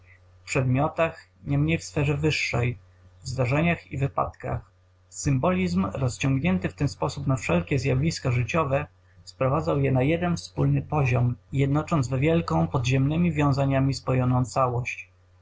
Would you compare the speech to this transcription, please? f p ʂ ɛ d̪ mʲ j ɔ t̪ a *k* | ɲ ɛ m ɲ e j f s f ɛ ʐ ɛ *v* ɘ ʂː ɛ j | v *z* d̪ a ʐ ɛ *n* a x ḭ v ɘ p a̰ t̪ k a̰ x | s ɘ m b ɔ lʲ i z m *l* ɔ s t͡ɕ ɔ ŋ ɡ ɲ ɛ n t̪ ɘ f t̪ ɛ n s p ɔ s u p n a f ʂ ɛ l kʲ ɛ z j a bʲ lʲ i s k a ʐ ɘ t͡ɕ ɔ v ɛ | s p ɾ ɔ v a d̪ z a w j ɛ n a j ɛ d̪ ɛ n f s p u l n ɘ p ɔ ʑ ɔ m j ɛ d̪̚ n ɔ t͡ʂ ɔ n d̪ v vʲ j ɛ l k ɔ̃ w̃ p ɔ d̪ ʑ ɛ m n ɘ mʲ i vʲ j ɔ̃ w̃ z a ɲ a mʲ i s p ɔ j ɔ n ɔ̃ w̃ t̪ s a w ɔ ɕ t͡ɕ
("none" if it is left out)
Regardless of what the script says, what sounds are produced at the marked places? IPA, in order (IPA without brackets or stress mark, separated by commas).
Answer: x, v, z, ɲ, ɾ